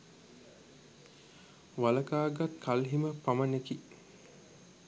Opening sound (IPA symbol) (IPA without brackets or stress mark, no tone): ʋ